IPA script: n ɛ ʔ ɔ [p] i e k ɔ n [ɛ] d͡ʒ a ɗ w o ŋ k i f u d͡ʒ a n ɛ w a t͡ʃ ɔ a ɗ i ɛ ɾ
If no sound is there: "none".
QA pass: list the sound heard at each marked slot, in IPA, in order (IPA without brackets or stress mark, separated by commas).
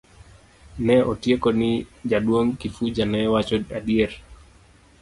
t, i